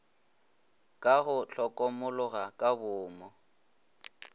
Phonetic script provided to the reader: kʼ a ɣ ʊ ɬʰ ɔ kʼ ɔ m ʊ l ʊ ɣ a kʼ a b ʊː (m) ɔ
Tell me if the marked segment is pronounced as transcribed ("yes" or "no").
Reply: yes